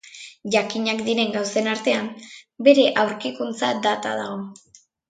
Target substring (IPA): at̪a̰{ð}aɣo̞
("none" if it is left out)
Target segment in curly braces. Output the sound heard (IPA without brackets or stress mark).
ð